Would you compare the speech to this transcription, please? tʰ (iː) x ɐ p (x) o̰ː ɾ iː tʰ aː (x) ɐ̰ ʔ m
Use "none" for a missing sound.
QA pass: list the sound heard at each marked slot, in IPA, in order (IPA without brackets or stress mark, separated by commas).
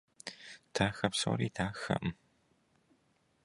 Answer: aː, s, x